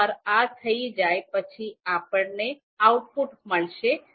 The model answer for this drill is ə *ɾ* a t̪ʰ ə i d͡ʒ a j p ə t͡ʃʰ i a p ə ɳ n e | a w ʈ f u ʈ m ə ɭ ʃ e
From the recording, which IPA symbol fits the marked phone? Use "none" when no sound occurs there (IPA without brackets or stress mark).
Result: ɾ